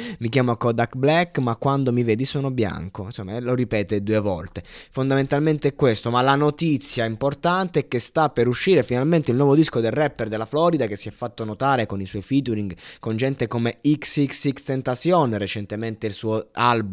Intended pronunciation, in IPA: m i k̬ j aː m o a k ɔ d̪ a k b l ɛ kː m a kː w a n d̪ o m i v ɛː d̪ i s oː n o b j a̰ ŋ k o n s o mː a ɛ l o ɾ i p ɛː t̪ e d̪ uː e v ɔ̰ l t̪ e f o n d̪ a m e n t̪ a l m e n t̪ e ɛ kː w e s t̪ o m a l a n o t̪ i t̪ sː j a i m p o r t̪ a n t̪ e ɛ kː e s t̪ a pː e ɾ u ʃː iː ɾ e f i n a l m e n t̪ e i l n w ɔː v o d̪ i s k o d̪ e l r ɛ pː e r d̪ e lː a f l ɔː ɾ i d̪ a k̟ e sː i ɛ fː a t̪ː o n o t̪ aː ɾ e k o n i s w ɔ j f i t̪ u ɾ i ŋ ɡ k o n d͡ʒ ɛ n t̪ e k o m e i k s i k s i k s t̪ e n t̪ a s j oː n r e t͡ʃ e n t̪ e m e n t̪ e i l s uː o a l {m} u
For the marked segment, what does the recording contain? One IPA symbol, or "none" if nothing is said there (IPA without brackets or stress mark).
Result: b